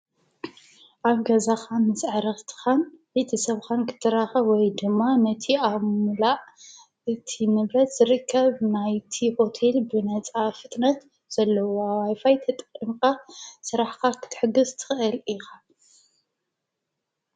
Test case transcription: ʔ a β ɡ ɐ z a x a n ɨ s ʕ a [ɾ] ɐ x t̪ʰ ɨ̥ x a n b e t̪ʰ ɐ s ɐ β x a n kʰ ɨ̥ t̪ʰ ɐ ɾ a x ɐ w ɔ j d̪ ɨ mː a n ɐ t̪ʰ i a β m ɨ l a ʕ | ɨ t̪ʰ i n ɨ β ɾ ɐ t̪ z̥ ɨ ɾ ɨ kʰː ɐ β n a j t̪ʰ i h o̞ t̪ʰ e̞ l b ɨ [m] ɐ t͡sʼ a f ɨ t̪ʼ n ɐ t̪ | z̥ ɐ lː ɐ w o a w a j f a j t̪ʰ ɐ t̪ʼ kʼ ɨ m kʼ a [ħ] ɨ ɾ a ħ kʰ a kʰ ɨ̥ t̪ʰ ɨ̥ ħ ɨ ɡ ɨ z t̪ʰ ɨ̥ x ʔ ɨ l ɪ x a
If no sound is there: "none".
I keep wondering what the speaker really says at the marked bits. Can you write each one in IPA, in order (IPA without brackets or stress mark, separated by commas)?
ɾ, n, s